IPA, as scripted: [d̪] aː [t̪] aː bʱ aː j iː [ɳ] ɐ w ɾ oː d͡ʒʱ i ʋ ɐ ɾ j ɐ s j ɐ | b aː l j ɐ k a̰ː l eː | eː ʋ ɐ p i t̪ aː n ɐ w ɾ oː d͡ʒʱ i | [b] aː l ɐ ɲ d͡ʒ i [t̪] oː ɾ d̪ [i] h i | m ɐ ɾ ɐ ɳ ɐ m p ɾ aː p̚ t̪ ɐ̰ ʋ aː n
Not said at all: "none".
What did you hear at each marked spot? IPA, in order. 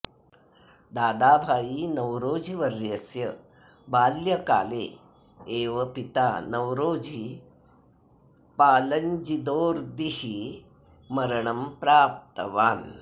d̪, d̪, n, p, d̪, i

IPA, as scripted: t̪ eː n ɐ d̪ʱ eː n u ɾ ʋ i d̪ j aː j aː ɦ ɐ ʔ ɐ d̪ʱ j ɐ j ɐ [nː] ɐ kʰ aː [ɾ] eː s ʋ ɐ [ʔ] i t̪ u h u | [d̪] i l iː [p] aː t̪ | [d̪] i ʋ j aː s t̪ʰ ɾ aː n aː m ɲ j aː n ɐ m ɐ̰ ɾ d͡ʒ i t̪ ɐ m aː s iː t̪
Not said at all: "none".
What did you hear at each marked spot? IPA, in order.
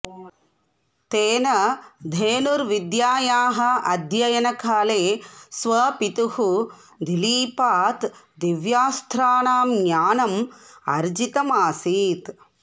n, l, p, d̪, p, d̪

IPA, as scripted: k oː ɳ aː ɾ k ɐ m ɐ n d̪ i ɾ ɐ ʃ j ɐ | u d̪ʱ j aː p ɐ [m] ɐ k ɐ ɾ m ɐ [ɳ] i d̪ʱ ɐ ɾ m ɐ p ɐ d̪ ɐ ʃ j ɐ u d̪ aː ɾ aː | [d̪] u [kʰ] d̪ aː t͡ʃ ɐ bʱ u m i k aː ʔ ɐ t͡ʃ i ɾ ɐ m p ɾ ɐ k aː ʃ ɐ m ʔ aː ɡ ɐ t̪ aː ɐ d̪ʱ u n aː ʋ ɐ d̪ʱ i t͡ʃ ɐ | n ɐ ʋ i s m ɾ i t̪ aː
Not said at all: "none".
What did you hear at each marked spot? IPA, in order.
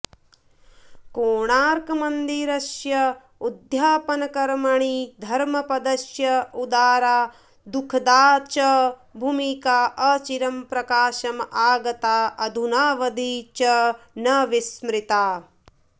n, ɳ, d̪, kʰ

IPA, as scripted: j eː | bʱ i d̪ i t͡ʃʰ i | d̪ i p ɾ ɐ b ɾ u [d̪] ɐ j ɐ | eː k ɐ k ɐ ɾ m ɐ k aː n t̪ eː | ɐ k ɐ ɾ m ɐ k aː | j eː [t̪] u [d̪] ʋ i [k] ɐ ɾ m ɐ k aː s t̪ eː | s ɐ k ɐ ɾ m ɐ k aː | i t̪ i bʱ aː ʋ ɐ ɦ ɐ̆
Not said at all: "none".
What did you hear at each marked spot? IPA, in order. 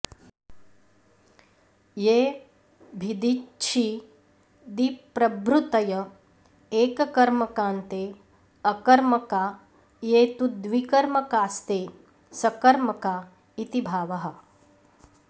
t̪, t̪, d̪, k

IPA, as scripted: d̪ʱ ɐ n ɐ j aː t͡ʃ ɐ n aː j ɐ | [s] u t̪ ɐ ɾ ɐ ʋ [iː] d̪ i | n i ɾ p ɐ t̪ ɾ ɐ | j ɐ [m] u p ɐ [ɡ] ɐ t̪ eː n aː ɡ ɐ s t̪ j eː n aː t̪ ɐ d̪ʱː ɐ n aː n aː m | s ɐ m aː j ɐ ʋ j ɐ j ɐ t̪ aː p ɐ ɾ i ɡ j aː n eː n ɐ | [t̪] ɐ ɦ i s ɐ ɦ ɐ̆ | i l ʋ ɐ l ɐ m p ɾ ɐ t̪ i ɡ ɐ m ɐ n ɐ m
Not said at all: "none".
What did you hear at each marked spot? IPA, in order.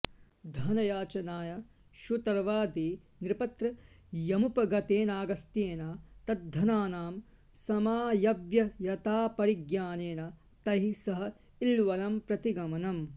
ʃ, aː, m, ɡ, t̪

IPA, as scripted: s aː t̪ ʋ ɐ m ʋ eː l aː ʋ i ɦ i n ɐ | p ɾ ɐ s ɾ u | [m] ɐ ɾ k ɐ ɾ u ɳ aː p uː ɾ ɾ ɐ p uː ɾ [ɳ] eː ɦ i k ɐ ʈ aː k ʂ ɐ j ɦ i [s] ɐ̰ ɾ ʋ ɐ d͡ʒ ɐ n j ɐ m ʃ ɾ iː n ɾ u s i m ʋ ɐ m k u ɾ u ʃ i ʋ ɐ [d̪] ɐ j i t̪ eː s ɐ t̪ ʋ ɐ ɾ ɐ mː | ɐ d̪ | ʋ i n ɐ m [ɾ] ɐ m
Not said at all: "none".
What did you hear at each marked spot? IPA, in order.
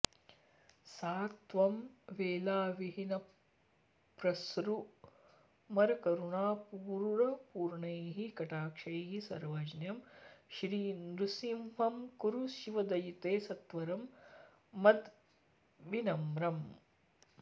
m, ɳ, s, d̪, ɾ

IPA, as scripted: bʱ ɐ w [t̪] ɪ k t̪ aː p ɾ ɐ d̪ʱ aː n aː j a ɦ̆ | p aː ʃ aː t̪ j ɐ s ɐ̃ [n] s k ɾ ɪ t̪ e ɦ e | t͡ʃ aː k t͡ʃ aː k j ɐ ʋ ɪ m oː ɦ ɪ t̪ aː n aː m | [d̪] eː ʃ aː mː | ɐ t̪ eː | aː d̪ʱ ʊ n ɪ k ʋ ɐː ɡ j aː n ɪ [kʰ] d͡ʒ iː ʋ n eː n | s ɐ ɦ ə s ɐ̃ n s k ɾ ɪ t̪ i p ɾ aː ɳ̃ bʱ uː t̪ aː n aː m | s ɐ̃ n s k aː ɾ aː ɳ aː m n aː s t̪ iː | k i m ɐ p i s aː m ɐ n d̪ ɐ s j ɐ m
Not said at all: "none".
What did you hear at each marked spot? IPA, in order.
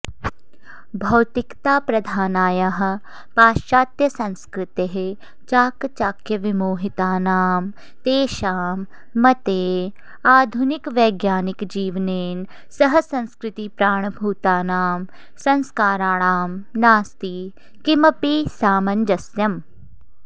t̪, n, t̪, k

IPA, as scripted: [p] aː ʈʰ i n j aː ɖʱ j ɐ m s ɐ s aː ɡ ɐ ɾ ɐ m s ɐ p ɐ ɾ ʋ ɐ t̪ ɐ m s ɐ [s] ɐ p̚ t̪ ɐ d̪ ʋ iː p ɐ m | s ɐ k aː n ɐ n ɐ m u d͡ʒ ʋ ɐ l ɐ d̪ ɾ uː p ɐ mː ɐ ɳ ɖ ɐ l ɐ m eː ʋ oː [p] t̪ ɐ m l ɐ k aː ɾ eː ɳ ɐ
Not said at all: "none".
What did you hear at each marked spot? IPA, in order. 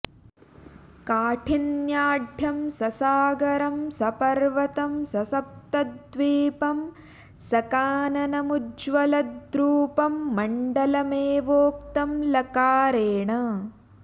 k, s, k

